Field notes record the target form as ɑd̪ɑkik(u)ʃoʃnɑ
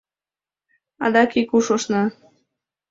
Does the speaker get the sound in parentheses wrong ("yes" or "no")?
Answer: no